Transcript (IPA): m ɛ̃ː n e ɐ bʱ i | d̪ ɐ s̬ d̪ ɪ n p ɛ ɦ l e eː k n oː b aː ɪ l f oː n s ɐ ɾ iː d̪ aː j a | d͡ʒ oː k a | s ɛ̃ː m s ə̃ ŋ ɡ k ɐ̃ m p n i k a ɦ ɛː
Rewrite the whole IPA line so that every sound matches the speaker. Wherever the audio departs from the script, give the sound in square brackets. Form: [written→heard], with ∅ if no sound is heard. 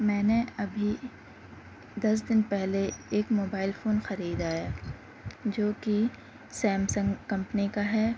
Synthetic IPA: m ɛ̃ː n e ɐ bʱ i | d̪ ɐ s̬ d̪ ɪ n p ɛ ɦ l e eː k [n→m] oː b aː ɪ l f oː n [s→x] ɐ ɾ iː d̪ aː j a | d͡ʒ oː k [a→i] | s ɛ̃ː m s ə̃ ŋ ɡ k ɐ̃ m p n i k a ɦ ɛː